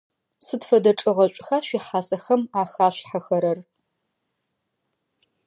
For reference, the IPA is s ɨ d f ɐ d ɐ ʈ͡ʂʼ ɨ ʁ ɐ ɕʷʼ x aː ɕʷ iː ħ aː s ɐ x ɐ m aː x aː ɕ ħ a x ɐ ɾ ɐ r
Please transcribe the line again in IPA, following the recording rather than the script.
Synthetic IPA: s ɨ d f ɐ d ɐ ʈ͡ʂʼ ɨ ʁ ɐ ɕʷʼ x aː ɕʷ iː ħ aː s ɐ x ɐ m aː x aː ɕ ħ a x ɐ ɾ ɐ r